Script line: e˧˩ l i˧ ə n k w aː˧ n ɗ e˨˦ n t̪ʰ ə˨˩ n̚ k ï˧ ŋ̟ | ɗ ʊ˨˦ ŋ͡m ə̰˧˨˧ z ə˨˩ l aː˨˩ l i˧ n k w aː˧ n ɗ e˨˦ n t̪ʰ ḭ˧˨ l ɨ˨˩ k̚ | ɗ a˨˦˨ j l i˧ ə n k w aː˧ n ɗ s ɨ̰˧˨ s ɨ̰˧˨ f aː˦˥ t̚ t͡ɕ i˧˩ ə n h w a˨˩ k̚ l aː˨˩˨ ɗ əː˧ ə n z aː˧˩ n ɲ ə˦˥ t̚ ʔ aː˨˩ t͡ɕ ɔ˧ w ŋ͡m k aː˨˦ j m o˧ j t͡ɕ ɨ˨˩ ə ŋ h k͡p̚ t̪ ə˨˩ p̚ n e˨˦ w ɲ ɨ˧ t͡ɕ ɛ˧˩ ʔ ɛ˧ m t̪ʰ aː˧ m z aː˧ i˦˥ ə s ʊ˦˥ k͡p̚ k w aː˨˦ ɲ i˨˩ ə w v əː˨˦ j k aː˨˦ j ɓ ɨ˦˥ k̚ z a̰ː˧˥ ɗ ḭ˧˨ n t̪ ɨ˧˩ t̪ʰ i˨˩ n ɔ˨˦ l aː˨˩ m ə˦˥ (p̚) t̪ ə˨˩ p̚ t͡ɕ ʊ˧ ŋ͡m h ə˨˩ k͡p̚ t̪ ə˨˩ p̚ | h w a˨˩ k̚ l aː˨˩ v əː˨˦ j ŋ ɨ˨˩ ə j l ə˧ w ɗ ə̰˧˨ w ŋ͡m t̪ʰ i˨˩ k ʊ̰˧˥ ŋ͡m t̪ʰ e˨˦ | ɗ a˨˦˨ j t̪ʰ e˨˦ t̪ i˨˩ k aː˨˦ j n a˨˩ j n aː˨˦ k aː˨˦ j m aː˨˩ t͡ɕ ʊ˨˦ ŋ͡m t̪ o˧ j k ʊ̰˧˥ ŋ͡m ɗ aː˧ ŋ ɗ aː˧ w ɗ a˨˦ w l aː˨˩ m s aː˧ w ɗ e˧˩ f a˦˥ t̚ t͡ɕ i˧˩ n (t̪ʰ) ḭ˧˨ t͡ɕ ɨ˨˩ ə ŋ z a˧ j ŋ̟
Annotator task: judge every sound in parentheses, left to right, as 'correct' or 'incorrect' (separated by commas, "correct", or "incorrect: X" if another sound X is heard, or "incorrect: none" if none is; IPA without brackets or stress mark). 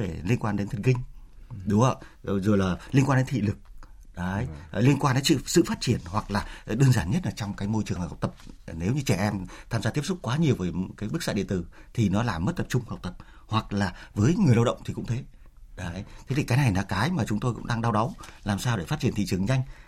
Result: incorrect: t̚, incorrect: t̪